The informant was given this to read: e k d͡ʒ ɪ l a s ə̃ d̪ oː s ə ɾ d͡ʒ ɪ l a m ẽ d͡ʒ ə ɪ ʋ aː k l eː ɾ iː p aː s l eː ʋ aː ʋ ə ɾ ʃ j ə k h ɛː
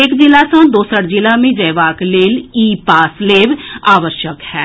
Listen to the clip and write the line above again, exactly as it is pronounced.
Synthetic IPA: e k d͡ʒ ɪ l a s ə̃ d̪ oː s ə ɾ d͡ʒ ɪ l a m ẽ d͡ʒ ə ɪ ʋ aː k l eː l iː p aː s l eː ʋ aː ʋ ə ɾ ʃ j ə k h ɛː